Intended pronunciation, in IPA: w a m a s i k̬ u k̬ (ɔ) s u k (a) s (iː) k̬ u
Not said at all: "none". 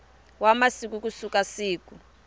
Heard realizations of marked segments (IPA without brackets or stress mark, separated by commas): u, a, iː